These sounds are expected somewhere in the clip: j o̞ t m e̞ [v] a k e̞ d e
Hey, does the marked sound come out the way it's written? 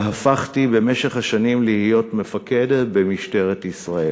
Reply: no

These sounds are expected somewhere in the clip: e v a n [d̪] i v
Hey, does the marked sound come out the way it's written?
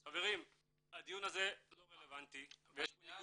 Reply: no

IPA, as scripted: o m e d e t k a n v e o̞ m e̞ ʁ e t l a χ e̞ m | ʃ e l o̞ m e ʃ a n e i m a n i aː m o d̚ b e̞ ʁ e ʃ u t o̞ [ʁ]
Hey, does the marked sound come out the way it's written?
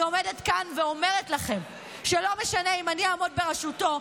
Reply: no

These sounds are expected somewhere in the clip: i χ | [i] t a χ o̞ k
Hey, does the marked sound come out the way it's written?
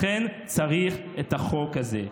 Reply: no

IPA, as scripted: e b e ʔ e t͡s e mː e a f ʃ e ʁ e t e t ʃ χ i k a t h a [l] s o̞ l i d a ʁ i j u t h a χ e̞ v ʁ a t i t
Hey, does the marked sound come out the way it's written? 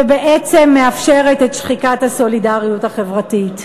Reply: no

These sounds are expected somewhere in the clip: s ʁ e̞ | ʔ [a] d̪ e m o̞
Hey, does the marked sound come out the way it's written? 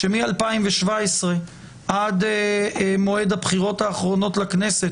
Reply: yes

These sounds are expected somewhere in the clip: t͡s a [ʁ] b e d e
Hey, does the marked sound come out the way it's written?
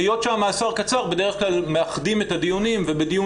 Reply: yes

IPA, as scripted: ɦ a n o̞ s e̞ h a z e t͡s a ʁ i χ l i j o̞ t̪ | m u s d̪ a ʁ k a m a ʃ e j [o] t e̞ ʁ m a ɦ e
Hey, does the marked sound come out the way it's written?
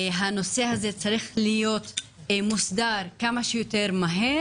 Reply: yes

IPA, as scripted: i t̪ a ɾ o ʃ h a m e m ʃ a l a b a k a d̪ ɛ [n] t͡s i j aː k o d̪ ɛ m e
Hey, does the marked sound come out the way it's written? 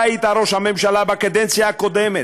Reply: yes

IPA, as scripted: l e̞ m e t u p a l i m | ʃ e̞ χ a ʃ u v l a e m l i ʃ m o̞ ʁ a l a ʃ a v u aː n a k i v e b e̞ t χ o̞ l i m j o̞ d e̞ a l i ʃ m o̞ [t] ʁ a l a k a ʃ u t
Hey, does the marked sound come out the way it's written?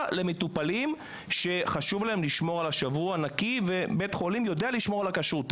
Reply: no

